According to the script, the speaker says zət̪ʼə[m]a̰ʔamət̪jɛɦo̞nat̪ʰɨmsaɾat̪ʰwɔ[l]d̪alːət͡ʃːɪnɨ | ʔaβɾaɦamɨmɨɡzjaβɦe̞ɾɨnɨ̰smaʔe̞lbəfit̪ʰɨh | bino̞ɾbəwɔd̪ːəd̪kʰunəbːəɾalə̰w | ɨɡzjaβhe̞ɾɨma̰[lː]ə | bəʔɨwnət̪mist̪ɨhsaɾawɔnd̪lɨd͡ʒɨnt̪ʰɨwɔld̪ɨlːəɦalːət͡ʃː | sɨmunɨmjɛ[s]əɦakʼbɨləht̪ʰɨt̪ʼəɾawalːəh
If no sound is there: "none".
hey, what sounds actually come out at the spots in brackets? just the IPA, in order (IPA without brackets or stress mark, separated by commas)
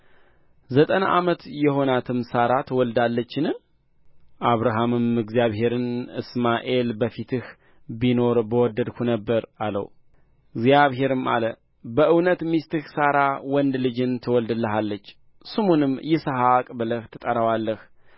n, l, l, s